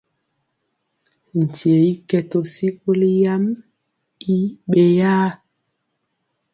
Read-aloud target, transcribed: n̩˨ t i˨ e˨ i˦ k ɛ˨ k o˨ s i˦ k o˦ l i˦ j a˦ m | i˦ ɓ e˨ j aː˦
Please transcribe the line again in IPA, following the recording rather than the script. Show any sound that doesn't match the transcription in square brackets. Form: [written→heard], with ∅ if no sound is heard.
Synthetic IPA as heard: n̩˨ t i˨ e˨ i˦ k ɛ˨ [k→t] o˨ s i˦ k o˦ l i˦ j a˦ m | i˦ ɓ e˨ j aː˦